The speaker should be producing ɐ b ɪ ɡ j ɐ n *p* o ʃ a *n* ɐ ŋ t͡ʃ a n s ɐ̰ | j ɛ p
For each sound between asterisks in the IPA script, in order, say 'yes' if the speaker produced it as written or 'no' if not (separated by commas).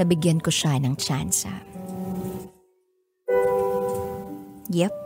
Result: no, yes